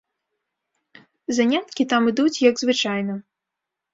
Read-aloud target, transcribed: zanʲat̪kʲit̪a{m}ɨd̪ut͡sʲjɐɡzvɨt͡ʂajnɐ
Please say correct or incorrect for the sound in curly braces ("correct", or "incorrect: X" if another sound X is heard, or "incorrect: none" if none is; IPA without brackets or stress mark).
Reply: correct